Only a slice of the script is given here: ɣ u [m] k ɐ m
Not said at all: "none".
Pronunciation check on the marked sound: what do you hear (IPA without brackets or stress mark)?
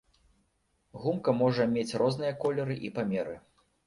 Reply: m